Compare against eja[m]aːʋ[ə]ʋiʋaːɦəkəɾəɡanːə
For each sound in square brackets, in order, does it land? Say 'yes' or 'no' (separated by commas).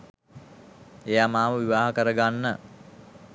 yes, yes